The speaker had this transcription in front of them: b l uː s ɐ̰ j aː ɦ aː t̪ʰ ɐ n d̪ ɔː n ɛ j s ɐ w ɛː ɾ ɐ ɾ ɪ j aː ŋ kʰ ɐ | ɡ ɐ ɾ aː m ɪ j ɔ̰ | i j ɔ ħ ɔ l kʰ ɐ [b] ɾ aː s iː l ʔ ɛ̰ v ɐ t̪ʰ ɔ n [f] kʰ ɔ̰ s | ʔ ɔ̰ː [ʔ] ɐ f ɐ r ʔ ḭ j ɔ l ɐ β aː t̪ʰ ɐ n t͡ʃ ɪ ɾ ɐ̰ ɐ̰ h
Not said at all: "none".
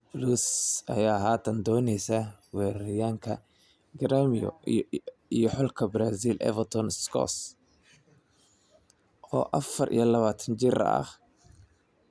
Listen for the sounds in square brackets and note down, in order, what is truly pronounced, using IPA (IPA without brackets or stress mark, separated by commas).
b, s, ʔ